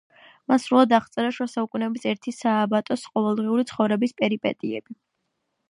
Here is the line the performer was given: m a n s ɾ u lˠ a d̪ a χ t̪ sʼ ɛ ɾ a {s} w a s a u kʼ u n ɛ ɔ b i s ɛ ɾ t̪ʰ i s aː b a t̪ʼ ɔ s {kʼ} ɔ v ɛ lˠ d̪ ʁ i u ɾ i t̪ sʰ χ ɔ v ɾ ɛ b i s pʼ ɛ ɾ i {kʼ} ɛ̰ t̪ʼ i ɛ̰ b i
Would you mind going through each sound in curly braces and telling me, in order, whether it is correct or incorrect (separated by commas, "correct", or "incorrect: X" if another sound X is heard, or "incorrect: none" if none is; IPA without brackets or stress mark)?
incorrect: ʃ, incorrect: qʼ, incorrect: pʼ